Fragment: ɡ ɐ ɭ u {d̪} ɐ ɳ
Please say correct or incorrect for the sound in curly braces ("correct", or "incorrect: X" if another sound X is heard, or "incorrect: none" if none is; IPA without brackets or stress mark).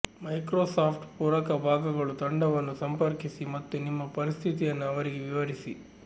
incorrect: t̪